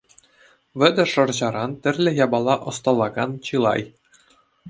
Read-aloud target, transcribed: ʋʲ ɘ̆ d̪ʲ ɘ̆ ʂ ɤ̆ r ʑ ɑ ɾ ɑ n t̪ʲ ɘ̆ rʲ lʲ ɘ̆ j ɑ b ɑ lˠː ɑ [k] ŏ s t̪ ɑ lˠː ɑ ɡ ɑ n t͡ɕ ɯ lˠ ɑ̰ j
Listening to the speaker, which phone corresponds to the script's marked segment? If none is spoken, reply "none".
ʔ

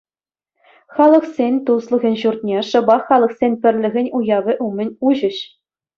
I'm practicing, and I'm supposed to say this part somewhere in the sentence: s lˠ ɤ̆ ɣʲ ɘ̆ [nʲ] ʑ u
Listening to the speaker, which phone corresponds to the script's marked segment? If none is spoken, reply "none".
nʲ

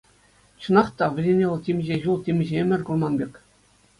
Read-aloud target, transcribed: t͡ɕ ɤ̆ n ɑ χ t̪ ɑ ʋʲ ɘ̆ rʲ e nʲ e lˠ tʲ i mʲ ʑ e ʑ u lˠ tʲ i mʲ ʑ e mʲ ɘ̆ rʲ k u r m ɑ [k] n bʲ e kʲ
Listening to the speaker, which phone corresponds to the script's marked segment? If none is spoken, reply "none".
none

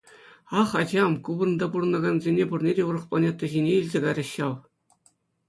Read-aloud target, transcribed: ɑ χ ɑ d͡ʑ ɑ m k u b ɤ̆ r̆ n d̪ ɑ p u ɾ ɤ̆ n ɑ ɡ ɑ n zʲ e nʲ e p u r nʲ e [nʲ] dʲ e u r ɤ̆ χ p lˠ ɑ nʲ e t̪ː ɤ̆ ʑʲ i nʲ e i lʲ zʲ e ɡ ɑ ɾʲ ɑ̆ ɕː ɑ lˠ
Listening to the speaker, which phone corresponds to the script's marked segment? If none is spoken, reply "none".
none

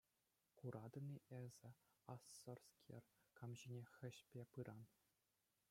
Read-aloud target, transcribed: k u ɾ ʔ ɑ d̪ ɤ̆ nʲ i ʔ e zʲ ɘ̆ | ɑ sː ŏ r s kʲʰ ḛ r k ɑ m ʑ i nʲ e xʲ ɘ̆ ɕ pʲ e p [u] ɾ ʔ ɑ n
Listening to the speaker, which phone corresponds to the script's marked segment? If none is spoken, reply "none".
ɯ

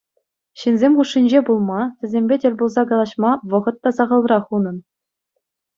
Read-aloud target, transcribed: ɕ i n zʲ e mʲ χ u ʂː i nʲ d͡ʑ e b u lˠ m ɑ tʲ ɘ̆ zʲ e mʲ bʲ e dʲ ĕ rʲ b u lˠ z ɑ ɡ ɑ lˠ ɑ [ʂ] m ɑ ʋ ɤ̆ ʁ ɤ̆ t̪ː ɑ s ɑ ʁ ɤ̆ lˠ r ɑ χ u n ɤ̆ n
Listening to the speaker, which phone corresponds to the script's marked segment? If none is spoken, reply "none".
ɕ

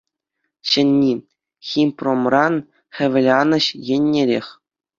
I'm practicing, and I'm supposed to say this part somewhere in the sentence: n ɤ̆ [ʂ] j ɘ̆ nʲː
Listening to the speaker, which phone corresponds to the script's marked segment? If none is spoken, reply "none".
ɕ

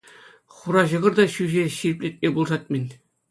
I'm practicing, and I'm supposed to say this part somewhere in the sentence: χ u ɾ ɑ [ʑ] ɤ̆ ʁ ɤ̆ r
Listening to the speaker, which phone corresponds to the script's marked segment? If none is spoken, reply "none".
ʑ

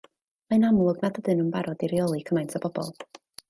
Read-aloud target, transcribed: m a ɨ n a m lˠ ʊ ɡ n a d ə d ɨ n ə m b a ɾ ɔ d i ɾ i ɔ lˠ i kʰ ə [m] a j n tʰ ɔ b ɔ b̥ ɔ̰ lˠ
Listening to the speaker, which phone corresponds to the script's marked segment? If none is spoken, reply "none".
m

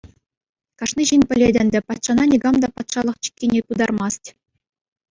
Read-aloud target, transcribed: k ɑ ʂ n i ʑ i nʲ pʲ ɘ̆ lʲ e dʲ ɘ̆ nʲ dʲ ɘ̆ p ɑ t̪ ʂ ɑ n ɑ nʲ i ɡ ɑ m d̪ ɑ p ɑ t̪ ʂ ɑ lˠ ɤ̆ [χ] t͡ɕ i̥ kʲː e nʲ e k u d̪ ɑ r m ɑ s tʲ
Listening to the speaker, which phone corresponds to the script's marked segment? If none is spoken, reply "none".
χ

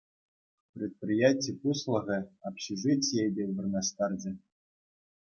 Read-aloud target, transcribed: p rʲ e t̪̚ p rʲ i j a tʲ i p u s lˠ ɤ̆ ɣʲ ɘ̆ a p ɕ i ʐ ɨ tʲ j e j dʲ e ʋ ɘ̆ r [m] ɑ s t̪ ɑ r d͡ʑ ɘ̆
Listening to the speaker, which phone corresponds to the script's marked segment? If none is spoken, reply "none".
n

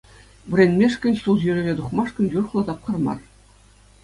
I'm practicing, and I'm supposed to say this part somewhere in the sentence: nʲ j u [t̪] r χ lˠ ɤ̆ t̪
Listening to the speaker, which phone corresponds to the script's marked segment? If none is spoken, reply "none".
none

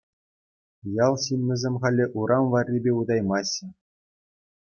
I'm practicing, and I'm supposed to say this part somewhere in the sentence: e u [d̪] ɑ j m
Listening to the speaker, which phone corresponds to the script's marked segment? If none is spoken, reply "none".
d̪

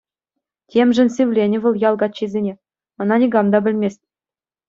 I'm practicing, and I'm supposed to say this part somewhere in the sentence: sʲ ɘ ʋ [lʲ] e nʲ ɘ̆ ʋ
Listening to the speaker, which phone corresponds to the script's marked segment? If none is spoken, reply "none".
lʲ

